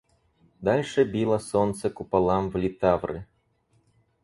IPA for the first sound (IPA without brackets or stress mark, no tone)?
d̪